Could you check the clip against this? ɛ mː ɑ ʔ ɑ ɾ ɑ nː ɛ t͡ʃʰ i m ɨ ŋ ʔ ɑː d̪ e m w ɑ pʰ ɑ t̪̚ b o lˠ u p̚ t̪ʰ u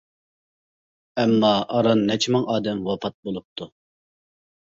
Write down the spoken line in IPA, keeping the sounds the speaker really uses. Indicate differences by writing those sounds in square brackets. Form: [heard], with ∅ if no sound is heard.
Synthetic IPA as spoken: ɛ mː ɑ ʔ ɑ ɾ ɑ nː ɛ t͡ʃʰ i m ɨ ŋ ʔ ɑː d̪ [ɛ] m w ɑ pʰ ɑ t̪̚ b o lˠ u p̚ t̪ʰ u